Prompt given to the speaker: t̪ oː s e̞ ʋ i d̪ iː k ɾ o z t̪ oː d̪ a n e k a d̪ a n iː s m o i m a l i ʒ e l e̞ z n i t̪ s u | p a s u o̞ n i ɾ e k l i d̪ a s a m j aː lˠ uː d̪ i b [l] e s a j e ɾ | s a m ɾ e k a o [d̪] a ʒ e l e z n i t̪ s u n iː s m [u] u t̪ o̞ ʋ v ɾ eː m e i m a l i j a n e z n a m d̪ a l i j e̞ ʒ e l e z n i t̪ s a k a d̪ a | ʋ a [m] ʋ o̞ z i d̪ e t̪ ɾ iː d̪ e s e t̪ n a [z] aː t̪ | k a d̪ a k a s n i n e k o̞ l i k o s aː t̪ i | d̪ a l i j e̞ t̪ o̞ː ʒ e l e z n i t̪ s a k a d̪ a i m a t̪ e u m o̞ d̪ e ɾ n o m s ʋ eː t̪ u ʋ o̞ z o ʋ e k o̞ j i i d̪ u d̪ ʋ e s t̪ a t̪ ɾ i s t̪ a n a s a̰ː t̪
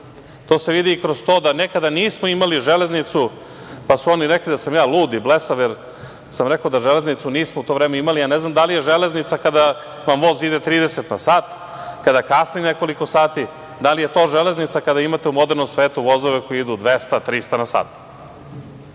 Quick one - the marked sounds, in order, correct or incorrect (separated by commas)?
correct, correct, incorrect, correct, incorrect